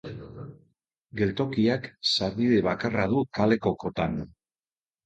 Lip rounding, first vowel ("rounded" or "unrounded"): unrounded